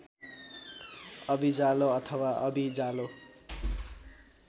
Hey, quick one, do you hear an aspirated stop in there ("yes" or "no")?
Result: yes